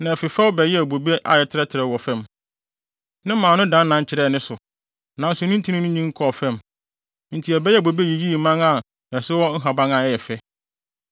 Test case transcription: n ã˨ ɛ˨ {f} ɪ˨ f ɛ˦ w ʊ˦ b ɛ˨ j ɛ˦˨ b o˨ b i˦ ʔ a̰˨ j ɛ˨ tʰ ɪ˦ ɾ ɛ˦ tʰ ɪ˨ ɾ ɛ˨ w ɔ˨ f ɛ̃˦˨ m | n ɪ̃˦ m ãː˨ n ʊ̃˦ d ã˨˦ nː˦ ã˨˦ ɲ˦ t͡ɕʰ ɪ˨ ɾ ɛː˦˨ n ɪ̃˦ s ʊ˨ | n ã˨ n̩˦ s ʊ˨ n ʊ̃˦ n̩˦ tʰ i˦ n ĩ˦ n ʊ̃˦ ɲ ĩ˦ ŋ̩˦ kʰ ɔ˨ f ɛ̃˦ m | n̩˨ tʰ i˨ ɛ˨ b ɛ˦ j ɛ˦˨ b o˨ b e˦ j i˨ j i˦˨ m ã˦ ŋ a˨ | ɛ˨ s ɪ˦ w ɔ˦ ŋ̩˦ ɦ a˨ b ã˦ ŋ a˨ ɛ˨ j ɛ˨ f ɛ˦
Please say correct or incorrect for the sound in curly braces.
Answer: correct